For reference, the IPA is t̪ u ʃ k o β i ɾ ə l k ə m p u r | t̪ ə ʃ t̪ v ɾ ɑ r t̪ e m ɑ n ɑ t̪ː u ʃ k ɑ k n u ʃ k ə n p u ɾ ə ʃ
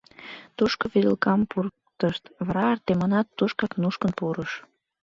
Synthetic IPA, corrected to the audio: t̪ u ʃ k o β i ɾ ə l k ɑ m p u r | t̪ ə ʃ t̪ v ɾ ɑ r t̪ e m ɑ n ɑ t̪ː u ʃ k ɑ k n u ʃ k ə n p u ɾ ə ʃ